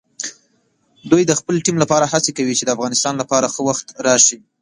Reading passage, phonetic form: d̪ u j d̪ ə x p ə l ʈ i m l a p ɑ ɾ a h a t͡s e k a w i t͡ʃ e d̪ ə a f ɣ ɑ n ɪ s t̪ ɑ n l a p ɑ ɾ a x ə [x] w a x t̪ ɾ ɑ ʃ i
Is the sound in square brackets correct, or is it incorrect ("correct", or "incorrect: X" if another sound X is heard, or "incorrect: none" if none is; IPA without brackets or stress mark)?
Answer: incorrect: none